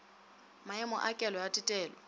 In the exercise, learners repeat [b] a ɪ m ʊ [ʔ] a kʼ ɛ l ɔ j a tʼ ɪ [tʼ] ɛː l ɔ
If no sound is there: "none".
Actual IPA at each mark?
m, ʔ, tʼ

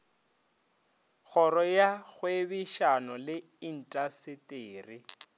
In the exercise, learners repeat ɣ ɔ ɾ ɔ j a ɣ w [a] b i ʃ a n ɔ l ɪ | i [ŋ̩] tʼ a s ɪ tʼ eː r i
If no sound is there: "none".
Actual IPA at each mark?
e, n̩

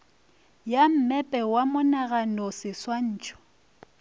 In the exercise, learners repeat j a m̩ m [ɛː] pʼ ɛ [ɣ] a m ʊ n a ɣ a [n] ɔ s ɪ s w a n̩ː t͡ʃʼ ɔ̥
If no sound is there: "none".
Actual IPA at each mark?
ɛ, w, n

